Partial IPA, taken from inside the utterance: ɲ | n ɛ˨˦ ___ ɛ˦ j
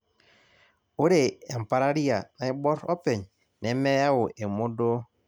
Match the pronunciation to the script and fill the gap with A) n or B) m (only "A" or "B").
B